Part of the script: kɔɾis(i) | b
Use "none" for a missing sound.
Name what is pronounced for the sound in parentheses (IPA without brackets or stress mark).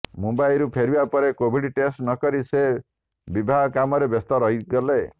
e